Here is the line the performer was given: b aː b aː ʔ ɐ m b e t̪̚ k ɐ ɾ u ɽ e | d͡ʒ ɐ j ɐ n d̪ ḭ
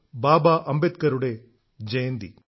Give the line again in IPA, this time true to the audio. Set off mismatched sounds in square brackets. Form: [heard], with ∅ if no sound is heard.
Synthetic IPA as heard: b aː b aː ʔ ɐ m b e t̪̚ k ɐ ɾ u ɽ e | d͡ʒ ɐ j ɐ n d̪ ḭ